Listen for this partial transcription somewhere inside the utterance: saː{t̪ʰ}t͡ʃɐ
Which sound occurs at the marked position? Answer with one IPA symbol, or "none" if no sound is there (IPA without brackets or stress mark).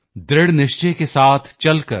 t̪ʰ